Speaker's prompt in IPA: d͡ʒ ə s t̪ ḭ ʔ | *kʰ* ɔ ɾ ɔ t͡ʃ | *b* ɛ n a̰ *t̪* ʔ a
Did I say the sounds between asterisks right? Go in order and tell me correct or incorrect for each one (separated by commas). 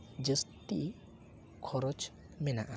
correct, incorrect, incorrect